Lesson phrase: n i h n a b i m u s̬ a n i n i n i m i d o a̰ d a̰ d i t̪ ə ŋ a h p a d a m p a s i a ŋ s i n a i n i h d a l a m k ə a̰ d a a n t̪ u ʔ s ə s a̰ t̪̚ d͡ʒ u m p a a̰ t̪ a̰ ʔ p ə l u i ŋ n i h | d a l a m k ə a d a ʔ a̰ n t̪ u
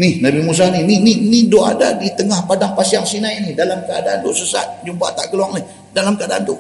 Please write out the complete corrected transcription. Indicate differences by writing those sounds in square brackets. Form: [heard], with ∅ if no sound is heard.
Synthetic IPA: n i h n a b i m u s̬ a n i n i n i [n] i d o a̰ d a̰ d i t̪ ə ŋ a h p a d a [ŋ] p a s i a ŋ s i n a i n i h d a l a m k ə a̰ d a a n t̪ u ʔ s ə s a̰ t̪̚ d͡ʒ u m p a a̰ t̪ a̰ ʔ [k] ə l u [a] ŋ n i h | d a l a m k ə a d a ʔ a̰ n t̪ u